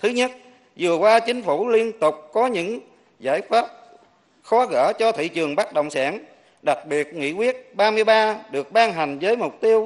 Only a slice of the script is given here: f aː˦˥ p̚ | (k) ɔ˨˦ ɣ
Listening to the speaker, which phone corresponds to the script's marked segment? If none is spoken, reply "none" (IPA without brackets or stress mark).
x